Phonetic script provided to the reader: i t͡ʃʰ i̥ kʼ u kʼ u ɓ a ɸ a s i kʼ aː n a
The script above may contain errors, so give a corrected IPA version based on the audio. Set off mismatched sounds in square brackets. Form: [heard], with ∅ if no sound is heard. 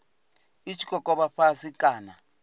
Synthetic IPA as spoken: i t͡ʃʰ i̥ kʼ [ɔ] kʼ [ɔ] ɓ a ɸ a s i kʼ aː n a